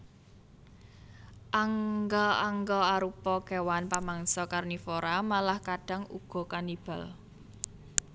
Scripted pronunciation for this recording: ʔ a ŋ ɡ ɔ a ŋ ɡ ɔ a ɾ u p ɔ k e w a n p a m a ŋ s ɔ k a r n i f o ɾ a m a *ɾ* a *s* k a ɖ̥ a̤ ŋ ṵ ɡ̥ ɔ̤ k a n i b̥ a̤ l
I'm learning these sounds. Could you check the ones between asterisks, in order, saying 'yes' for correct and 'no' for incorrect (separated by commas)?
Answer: no, no